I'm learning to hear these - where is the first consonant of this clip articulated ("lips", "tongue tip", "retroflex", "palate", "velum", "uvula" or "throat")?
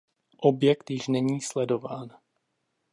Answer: throat